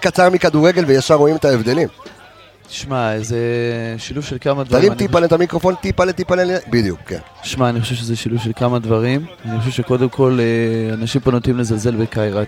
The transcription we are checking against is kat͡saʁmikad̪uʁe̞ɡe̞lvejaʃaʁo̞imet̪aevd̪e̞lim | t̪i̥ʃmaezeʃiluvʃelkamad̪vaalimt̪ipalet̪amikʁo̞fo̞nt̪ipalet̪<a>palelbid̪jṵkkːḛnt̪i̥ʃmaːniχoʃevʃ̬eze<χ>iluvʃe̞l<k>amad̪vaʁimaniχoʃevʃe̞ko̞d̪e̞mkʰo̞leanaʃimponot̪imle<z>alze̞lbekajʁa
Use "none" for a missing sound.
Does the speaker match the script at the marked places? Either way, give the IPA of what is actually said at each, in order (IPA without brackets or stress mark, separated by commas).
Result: i, ʃ, k, z